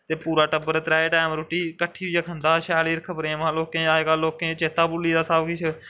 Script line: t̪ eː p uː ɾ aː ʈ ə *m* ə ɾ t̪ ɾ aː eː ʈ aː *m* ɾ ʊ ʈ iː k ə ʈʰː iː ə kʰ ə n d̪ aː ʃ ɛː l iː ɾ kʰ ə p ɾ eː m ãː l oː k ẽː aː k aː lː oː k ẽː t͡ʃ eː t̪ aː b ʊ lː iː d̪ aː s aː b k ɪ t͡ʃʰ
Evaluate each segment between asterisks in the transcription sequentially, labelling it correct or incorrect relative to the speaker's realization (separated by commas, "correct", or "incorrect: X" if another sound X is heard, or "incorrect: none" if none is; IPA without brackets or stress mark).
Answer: incorrect: b, correct